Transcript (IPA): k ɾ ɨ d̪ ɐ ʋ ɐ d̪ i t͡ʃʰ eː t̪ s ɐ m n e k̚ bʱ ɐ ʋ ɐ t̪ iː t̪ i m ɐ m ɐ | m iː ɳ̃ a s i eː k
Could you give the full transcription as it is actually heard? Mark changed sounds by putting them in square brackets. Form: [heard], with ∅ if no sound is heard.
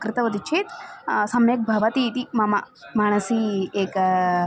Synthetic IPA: k ɾ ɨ [t̪] ɐ ʋ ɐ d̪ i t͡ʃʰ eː t̪ s ɐ m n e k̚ bʱ ɐ ʋ ɐ t̪ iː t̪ i m ɐ m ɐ | m [aː] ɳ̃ [ɐ] s i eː k